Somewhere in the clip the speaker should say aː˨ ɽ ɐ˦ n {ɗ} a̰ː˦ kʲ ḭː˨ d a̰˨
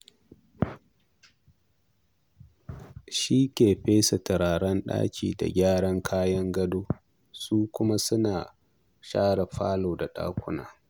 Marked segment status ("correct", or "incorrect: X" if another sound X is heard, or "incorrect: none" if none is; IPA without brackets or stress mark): correct